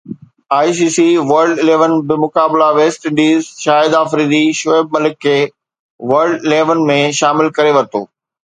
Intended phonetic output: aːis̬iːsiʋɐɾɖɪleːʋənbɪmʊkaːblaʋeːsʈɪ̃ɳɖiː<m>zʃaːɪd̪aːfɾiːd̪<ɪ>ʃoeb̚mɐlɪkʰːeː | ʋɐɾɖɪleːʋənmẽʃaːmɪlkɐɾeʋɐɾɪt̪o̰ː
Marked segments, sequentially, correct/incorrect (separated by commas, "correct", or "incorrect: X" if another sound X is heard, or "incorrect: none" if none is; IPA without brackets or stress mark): incorrect: none, incorrect: i